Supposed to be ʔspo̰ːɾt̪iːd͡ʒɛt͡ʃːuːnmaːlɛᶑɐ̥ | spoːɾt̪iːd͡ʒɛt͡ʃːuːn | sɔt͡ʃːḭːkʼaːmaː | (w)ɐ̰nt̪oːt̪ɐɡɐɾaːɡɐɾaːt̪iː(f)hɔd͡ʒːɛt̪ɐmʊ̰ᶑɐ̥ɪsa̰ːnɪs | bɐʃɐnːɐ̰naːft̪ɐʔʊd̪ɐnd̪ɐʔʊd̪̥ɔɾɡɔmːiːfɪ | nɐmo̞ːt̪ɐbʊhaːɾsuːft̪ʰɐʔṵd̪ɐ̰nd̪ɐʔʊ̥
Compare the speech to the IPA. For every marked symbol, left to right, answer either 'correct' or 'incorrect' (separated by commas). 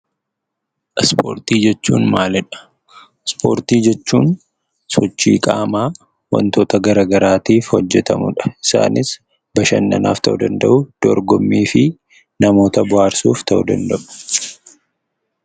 correct, correct